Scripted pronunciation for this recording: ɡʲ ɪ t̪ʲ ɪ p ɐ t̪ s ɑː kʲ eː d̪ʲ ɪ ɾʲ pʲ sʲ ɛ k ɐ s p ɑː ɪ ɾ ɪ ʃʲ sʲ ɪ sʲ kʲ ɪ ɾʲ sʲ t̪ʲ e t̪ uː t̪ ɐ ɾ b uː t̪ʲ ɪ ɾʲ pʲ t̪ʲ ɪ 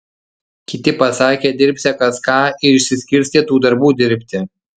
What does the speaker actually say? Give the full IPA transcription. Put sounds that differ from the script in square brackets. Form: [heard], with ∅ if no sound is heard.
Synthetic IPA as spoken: [kʲ] ɪ t̪ʲ ɪ p ɐ [∅] s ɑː kʲ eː d̪ʲ ɪ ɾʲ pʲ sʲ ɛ k ɐ s [k] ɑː ɪ ɾ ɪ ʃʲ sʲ ɪ sʲ kʲ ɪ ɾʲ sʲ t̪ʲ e t̪ uː [d̪] ɐ ɾ b uː [d̪ʲ] ɪ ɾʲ pʲ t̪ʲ ɪ